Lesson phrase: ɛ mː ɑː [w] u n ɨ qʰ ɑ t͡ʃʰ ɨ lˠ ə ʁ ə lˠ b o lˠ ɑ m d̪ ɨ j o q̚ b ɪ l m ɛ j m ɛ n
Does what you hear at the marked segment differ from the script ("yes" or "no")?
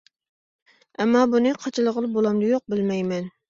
yes